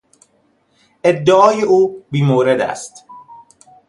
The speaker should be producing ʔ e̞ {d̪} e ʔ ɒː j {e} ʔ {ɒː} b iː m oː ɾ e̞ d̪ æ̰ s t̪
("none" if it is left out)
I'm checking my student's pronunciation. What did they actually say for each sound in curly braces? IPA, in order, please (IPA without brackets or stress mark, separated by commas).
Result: d̪ː, e, uː